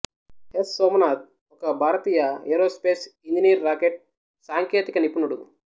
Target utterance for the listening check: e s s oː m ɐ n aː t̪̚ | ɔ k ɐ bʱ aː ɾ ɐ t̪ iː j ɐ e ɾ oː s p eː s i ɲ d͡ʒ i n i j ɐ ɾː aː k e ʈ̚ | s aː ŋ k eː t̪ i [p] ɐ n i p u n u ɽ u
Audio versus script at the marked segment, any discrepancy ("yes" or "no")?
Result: yes